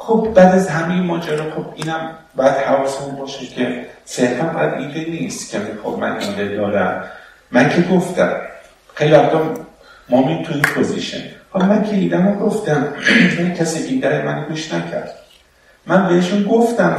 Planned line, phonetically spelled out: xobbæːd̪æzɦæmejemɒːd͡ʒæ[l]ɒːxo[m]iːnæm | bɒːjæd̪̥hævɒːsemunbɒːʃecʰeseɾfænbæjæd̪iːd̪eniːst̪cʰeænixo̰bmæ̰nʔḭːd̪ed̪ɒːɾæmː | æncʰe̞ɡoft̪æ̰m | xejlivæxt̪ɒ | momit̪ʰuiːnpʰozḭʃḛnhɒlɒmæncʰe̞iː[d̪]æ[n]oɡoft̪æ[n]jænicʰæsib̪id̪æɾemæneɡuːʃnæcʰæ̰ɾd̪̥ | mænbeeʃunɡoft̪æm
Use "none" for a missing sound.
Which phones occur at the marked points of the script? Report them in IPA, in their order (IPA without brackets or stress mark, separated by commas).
ɾ, b, d̪, m, m